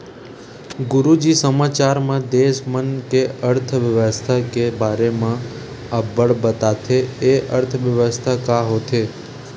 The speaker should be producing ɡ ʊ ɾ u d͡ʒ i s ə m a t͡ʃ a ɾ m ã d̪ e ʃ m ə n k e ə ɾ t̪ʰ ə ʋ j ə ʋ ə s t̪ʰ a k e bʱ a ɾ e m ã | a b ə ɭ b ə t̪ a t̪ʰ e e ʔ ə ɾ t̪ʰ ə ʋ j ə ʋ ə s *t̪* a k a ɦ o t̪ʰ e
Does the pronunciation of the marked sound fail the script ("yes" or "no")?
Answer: yes